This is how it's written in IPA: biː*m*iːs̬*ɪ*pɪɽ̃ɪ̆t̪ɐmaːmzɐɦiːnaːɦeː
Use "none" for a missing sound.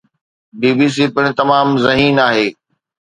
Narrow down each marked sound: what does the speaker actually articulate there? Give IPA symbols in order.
b, i

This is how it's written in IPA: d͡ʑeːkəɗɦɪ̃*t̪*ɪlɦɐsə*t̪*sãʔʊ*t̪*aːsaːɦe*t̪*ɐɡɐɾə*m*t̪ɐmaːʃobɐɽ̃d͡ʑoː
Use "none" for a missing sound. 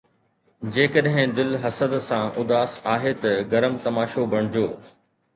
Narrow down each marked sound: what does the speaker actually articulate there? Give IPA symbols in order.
d̪, d̪, d̪, t̪, m

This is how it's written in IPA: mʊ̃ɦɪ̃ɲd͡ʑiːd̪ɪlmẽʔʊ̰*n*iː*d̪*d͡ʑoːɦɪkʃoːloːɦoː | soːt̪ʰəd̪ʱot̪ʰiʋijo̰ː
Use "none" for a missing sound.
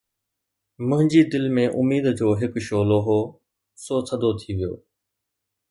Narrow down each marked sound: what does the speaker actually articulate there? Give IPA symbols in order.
m, d̪

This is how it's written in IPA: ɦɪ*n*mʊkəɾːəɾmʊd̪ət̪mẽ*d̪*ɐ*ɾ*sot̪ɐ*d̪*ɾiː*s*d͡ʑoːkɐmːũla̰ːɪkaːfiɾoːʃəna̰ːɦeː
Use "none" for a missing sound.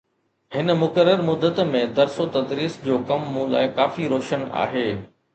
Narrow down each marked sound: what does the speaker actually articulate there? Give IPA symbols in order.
n, d̪, ɾ, d̪, s

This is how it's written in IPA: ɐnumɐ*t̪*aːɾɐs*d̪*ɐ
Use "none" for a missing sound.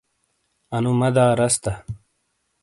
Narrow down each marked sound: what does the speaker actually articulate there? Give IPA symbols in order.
d̪, t̪

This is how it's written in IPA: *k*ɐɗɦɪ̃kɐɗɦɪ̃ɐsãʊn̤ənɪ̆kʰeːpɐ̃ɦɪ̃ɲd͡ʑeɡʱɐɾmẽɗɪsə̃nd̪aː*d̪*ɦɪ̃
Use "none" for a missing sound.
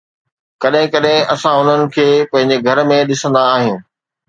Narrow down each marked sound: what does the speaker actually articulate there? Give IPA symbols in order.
k, none

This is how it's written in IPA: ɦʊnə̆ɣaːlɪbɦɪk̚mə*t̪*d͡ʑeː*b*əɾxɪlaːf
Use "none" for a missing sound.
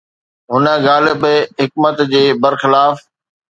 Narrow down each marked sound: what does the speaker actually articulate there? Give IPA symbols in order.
t̪, b

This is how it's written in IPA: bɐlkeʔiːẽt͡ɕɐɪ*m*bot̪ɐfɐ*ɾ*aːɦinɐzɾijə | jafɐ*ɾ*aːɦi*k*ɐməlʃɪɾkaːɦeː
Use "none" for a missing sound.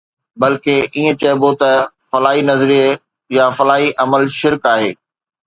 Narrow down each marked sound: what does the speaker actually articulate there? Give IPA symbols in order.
none, l, l, ʔ

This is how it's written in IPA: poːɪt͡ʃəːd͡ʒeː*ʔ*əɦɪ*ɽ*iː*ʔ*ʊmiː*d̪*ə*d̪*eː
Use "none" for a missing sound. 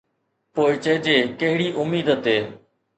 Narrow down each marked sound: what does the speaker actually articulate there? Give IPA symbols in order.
k, ɽ, ʔ, d̪, t̪

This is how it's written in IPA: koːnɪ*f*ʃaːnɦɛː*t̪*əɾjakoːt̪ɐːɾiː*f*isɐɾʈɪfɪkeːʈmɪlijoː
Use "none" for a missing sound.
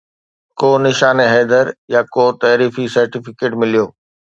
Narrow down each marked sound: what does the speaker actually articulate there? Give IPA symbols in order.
none, d̪, f

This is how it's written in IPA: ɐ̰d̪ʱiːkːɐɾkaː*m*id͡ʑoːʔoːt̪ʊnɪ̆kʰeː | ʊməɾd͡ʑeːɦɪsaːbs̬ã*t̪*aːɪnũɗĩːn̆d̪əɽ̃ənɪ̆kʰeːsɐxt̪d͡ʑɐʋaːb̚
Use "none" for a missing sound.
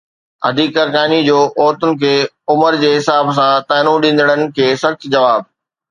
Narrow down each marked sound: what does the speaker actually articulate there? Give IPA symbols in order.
n, t̪

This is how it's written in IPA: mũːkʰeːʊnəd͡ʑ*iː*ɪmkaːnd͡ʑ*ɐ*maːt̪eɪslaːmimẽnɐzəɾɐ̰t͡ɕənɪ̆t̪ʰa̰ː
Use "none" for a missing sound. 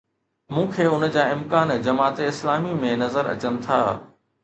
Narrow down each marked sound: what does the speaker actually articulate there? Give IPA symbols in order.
aː, ɐ

